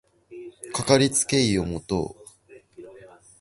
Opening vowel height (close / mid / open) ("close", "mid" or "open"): open